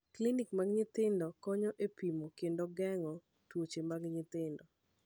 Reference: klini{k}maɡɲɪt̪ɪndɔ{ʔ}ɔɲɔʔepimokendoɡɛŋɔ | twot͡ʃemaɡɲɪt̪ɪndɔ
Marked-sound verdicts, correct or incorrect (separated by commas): correct, incorrect